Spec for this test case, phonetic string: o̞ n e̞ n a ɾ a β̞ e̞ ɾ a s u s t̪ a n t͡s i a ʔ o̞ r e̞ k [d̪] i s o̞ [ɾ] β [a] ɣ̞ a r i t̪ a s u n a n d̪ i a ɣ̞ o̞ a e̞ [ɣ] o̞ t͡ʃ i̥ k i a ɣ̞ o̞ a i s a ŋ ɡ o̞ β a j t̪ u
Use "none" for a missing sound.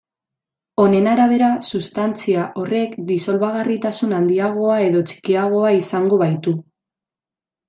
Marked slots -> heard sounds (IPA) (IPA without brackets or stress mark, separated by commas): d̪, l, a, ð